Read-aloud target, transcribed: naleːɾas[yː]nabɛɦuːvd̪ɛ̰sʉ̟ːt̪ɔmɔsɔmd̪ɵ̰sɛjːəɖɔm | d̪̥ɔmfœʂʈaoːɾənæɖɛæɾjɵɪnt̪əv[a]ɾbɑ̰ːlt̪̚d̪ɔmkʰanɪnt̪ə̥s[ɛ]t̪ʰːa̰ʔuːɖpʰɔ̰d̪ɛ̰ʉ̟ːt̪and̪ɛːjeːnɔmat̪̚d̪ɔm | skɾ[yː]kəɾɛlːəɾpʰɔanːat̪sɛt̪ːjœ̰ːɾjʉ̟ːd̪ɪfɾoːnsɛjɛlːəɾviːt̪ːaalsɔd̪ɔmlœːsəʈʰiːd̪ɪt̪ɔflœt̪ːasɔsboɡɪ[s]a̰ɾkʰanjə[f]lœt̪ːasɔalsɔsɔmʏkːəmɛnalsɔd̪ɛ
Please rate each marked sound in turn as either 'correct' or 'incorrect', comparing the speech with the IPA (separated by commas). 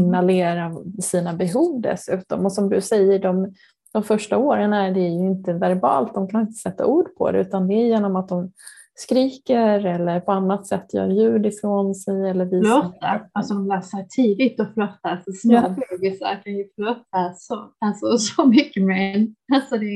incorrect, incorrect, correct, incorrect, correct, correct